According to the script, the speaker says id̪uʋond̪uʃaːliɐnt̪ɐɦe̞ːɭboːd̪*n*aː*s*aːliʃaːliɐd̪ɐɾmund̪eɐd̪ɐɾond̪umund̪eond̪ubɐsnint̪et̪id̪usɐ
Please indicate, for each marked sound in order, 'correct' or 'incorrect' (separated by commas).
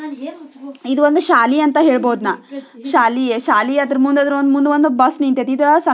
correct, incorrect